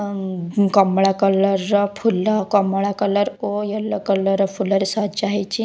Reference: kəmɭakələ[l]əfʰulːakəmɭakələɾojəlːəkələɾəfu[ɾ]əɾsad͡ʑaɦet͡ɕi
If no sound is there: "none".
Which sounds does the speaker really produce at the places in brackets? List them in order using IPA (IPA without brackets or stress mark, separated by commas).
ɾ, l